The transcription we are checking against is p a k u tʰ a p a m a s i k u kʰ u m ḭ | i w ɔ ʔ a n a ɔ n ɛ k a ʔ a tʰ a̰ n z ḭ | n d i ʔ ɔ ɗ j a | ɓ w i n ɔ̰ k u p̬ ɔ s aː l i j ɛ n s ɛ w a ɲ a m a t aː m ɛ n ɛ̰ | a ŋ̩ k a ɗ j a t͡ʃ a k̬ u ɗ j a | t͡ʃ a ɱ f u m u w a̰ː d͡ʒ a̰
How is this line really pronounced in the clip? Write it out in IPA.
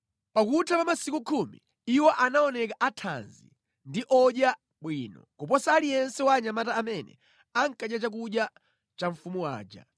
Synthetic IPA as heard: p a k u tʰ a p a m a s i k u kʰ u m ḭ | i w ɔ ʔ a n a ɔ n ɛ k a ʔ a tʰ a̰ n z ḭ | n d i ʔ ɔ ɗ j a | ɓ w i n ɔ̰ k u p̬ ɔ s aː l i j ɛ n s ɛ w a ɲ a m a t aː m ɛ n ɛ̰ | a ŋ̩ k a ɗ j a t͡ʃ a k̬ u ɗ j a | t͡ʃ a ɱ f u m u w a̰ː d͡ʒ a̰